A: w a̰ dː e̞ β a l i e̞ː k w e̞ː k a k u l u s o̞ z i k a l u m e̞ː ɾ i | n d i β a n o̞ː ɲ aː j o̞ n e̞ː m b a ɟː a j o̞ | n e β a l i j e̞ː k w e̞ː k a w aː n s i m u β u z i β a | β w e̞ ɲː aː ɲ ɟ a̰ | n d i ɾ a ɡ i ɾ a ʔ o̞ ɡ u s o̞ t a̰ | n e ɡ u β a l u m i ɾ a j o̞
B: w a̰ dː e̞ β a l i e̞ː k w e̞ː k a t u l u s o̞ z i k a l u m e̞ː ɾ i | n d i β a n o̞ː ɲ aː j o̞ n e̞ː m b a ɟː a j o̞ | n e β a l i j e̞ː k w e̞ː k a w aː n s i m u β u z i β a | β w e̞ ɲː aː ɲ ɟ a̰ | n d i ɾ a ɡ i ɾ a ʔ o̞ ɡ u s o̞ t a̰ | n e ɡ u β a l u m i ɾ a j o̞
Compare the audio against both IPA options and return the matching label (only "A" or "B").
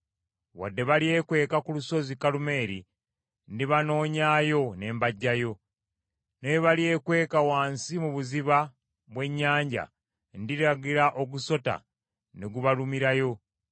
A